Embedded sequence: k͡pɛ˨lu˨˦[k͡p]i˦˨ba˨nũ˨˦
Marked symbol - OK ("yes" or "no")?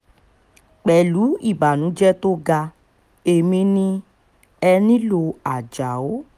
no